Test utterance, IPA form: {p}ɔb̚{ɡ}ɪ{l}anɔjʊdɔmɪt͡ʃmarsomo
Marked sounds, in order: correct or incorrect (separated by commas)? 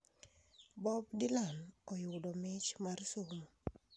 incorrect, incorrect, correct